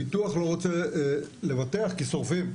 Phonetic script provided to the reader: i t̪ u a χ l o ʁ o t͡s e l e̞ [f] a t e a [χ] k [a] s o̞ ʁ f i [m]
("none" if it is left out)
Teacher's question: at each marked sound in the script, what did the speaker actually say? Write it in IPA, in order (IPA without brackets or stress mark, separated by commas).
v, χ, i, m